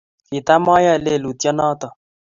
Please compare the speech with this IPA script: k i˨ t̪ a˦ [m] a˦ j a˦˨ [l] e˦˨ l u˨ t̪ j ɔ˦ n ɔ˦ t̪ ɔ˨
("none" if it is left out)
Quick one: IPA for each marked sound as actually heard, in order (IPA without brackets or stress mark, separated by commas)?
m, l